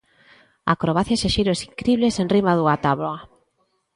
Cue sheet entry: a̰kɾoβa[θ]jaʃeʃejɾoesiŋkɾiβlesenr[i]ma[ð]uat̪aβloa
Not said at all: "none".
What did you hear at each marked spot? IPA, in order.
θ, i, ð

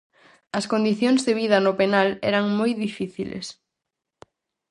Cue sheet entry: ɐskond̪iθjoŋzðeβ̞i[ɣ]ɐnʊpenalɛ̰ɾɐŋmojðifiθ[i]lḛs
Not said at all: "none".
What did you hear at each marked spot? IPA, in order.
ð, i

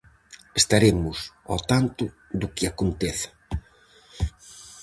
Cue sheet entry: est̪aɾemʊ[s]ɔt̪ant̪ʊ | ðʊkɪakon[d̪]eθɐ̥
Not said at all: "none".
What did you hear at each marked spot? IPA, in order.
s, t̪

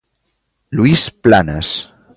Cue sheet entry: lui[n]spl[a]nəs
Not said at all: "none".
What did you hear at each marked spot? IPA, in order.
none, a

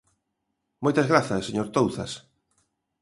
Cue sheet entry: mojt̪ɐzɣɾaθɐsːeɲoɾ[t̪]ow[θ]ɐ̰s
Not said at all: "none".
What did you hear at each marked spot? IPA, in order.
t̪, θ

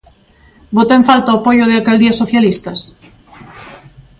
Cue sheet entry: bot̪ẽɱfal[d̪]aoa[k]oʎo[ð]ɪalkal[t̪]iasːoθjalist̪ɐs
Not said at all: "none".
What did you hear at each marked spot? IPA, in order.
t̪, p, ð, d̪

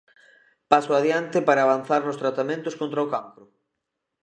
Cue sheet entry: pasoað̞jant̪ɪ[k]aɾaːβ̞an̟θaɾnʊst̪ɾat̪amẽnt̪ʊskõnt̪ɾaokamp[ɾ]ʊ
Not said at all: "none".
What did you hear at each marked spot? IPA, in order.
p, ɾ

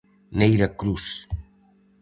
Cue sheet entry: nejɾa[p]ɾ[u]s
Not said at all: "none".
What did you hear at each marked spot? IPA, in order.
k, u

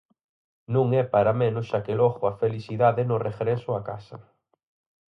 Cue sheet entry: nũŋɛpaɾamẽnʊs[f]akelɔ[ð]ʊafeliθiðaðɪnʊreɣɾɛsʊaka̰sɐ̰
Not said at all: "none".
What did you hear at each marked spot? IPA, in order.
ʃ, ɣ

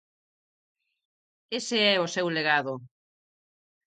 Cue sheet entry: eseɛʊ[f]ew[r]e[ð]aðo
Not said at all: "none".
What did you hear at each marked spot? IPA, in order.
s, l, ɣ

